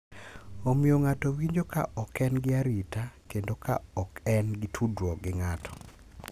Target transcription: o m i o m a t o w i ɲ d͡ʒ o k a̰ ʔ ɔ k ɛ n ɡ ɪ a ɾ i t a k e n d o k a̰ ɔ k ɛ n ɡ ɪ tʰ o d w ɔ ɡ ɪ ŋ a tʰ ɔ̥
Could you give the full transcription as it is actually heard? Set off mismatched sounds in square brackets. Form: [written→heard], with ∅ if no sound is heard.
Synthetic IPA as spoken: o m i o [m→ŋ] a t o w i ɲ d͡ʒ o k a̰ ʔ ɔ k ɛ n ɡ ɪ a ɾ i t a k e n d o k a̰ ɔ k ɛ n ɡ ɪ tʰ [o→u] d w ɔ ɡ ɪ ŋ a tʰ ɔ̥